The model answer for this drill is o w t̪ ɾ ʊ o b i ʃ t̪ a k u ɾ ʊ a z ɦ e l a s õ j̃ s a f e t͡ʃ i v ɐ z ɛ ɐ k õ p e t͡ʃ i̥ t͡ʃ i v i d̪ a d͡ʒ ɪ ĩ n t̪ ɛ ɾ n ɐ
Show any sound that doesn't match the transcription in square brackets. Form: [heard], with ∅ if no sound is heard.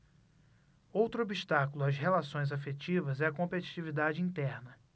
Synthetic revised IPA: o w t̪ ɾ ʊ o b i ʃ t̪ a k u [l] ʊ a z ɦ e l a s õ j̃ [z] a f e t͡ʃ i v ɐ z ɛ ɐ k õ p e t͡ʃ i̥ t͡ʃ i v i d̪ a d͡ʒ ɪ ĩ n t̪ ɛ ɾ n ɐ

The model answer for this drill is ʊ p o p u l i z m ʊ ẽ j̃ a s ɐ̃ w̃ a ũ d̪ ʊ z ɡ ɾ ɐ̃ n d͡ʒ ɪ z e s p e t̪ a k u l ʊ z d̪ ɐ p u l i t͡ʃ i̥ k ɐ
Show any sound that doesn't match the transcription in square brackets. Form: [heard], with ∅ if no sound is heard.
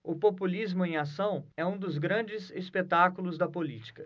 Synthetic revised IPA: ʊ p o p u l i z m ʊ ẽ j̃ a s ɐ̃ w̃ [ɛ] ũ d̪ ʊ z ɡ ɾ ɐ̃ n d͡ʒ ɪ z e s p e t̪ a k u l ʊ z d̪ ɐ p [o] l i t͡ʃ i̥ k ɐ

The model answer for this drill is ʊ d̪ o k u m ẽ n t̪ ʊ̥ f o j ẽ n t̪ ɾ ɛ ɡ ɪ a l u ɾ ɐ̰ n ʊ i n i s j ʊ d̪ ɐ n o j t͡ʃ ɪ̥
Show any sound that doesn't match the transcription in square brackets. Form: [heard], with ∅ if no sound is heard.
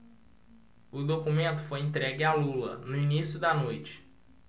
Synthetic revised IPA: ʊ d̪ o k u m ẽ n t̪ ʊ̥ f o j ẽ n t̪ ɾ ɛ ɡ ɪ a l u [l] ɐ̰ n ʊ i n i s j ʊ d̪ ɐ n o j t͡ʃ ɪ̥

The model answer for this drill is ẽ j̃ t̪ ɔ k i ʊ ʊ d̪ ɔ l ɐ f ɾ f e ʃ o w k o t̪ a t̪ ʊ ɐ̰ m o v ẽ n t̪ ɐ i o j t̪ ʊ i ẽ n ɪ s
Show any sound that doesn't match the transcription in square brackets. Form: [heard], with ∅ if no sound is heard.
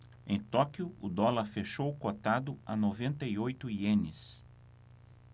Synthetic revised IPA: ẽ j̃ t̪ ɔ k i ʊ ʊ d̪ ɔ l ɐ [∅] ɾ f e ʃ o w k o t̪ a [d̪] ʊ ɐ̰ [n] o v ẽ n t̪ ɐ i o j t̪ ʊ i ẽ n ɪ s

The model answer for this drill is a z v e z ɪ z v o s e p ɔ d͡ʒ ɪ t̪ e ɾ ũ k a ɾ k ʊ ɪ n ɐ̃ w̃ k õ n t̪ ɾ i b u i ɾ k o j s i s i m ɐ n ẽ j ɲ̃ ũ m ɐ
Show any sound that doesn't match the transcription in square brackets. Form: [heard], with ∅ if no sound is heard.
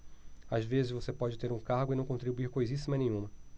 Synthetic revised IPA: a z v e z ɪ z v o s e p ɔ d͡ʒ ɪ t̪ e ɾ ũ k a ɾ [ɡ] ʊ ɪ n ɐ̃ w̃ k õ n t̪ ɾ i b u i ɾ k o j [z] i s i m ɐ n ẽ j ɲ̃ ũ m ɐ

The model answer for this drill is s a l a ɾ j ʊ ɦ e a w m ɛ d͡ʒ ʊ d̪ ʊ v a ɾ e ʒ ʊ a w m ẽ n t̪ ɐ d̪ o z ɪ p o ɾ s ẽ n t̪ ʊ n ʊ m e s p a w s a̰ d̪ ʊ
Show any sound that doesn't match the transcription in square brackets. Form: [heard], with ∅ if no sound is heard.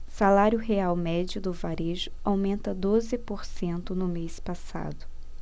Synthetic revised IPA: s a l a ɾ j ʊ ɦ e a w m ɛ d͡ʒ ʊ d̪ ʊ v a ɾ e ʒ ʊ a w m ẽ n t̪ ɐ d̪ o z ɪ p o ɾ s ẽ n t̪ ʊ n ʊ m e s p a [∅] s a̰ d̪ ʊ

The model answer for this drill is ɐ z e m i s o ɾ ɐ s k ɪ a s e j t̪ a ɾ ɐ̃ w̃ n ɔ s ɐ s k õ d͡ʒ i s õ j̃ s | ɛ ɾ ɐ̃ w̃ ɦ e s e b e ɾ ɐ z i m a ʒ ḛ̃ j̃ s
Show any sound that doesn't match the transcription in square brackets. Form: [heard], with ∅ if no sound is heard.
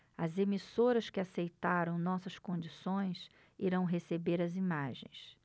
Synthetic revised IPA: ɐ z e m i s o ɾ ɐ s k ɪ a s e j t̪ a ɾ ɐ̃ w̃ n ɔ s ɐ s k õ d͡ʒ i s õ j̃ s | [i] ɾ ɐ̃ w̃ ɦ e s e b e ɾ ɐ z i m a ʒ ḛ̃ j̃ s

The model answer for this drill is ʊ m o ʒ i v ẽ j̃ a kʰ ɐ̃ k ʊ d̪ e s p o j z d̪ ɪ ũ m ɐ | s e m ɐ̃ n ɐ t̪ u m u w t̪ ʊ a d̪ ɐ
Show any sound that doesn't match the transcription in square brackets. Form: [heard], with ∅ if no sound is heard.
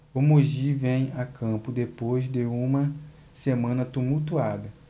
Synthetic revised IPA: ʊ m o ʒ i v ẽ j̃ a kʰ ɐ̃ [p] ʊ d̪ e [∅] p o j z d̪ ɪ ũ m ɐ | s e m ɐ̃ n ɐ t̪ u m u w t̪ [u] a d̪ ɐ

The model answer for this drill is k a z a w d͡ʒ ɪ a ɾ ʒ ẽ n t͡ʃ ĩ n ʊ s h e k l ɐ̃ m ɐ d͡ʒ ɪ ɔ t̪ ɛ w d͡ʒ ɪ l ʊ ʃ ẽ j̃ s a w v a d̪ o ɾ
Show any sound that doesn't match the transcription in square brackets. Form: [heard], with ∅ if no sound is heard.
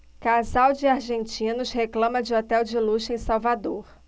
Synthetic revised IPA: k a z a w d͡ʒ ɪ a ɾ ʒ ẽ n t͡ʃ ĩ n ʊ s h e k l ɐ̃ m ɐ d͡ʒ ɪ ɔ t̪ ɛ w d͡ʒ ɪ l [u] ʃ ẽ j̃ s a w v a d̪ o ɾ

